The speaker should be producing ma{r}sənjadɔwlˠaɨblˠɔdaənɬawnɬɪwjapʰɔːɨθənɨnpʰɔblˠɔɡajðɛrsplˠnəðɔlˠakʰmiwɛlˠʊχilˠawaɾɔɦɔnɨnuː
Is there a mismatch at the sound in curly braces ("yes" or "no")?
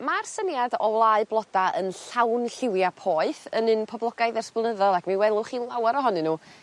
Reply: no